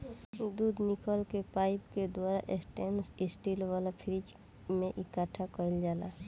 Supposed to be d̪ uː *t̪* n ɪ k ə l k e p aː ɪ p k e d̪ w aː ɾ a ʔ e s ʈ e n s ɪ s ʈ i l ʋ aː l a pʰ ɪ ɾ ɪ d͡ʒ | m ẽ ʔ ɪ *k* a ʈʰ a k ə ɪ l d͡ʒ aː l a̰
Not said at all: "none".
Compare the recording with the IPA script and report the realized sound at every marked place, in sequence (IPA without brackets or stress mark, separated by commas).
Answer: d̪, k